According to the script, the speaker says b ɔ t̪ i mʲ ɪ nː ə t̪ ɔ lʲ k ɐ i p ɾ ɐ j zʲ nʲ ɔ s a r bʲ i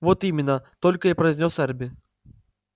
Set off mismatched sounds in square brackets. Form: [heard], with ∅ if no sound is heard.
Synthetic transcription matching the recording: [v] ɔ t̪ i mʲ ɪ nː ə t̪ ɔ lʲ k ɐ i p ɾ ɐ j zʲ nʲ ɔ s [ɛ] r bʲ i